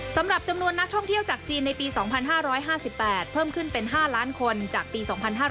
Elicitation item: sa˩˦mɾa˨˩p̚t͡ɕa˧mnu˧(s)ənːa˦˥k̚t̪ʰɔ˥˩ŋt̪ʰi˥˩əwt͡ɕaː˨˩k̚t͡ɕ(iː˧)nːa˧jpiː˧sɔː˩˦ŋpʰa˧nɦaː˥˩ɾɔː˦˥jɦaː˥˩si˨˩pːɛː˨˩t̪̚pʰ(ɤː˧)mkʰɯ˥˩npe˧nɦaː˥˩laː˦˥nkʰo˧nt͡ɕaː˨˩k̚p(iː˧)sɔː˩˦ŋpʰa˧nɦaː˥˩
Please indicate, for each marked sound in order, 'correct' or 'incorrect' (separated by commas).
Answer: incorrect, correct, incorrect, correct